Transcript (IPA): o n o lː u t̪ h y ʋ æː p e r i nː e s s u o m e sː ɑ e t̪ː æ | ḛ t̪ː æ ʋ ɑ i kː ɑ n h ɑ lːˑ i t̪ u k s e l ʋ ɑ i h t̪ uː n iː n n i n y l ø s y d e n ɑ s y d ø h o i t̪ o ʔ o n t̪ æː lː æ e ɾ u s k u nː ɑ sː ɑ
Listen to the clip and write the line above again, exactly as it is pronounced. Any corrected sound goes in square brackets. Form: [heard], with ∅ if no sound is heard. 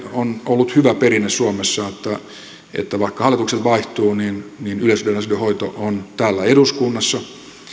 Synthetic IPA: o n o lː u t̪ h y ʋ [æ] p e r i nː e s s u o m e sː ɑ e t̪ː æ | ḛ t̪ː æ ʋ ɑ i kː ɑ [∅] h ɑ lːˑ i t̪ u k s e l ʋ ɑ i h t̪ uː n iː n n i n y l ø s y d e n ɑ s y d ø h o i t̪ o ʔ o n t̪ æː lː æ e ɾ u s k u nː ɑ sː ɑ